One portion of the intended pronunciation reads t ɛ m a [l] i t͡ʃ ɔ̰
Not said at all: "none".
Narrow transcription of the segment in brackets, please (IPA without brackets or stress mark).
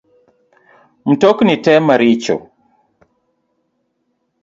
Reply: ɾ